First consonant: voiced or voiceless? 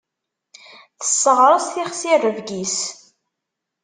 voiceless